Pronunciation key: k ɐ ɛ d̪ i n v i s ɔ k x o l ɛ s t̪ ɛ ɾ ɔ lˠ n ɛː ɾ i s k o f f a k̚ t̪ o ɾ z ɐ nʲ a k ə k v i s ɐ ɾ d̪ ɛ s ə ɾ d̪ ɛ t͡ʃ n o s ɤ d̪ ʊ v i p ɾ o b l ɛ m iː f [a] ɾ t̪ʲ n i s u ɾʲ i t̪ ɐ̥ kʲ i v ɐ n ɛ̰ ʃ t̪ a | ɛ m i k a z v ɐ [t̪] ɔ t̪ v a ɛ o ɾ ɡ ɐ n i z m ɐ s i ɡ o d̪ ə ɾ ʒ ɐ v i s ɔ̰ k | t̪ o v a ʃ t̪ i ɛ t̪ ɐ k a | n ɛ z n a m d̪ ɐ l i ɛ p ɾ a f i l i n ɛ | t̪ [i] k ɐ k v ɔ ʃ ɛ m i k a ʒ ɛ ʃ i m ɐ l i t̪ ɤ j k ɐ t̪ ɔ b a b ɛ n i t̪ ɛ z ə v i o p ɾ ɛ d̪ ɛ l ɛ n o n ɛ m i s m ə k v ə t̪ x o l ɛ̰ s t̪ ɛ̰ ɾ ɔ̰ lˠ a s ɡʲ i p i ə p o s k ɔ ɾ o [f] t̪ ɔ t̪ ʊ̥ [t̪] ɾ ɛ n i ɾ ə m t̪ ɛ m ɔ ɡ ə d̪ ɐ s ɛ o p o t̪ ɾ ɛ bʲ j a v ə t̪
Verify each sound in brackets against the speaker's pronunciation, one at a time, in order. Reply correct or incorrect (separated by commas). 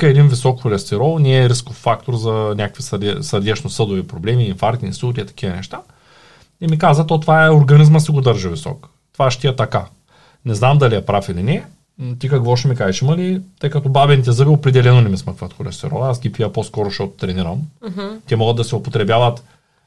correct, correct, correct, incorrect, correct